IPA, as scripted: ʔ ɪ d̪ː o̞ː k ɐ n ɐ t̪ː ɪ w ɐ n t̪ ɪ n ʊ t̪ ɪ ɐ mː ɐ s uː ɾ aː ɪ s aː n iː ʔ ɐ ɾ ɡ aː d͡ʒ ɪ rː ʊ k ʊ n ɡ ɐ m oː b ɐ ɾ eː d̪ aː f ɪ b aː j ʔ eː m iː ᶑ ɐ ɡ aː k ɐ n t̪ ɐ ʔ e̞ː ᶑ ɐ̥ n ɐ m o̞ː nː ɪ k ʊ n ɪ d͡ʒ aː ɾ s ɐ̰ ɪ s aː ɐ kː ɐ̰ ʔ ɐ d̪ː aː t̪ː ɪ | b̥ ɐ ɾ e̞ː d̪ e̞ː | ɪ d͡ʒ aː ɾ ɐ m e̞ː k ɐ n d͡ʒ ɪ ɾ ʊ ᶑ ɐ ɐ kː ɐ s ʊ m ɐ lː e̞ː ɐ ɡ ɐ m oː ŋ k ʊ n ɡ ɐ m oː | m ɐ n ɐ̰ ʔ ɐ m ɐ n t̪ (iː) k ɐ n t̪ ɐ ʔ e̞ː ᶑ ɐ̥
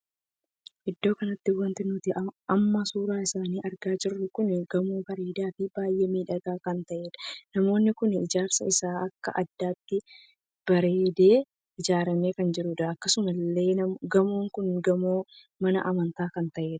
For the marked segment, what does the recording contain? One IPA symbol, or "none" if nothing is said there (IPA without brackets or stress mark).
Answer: aː